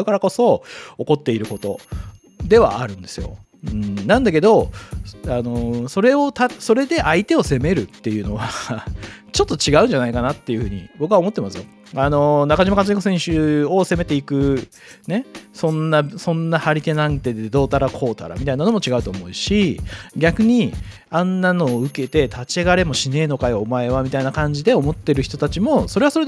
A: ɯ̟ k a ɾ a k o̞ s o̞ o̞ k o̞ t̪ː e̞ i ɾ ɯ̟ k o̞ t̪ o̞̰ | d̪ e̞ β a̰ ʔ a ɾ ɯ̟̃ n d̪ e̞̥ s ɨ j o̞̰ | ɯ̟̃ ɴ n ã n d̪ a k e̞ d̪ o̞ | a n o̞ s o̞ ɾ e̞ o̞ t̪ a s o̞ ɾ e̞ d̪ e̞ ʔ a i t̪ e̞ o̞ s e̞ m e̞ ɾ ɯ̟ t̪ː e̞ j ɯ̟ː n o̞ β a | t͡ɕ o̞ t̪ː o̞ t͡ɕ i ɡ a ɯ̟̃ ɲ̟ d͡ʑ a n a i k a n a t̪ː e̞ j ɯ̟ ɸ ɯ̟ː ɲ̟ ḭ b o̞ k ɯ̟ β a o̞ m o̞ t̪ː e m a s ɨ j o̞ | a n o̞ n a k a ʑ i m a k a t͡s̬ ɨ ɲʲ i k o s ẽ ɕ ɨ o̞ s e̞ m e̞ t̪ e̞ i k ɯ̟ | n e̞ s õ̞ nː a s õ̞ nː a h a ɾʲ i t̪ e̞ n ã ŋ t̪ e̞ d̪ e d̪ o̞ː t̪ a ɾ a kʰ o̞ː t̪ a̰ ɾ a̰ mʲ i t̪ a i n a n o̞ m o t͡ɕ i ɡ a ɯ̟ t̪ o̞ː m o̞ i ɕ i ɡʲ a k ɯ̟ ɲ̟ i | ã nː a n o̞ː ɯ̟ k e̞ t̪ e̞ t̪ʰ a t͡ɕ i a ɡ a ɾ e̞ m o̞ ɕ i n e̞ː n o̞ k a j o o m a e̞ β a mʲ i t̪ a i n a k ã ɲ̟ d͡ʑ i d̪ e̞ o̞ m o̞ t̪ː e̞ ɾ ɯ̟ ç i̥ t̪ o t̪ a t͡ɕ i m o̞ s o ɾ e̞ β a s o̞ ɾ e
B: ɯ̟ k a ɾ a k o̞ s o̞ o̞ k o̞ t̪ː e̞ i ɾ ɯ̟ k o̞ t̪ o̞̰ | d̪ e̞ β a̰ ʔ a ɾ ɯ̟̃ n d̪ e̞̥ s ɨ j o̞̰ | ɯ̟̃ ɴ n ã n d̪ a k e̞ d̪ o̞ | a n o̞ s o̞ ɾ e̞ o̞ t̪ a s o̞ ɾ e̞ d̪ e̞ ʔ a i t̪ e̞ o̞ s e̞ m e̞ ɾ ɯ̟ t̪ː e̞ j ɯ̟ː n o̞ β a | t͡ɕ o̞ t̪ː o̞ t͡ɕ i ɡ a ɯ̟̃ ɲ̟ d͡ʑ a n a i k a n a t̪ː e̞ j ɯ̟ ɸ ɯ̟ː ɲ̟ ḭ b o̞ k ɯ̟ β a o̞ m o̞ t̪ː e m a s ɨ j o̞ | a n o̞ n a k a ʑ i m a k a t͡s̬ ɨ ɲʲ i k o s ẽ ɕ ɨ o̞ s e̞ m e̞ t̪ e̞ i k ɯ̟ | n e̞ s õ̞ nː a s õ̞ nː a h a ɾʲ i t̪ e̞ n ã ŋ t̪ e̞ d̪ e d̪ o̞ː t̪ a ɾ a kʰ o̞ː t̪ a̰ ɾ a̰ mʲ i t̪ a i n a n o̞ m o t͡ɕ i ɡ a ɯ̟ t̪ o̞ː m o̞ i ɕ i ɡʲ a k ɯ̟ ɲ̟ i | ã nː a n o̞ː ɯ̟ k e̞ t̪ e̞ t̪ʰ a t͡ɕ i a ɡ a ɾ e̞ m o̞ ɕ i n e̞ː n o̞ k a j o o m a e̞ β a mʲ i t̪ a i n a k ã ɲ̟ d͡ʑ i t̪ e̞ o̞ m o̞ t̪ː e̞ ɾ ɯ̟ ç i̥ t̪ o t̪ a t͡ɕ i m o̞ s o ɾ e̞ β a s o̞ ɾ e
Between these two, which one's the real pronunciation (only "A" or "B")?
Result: A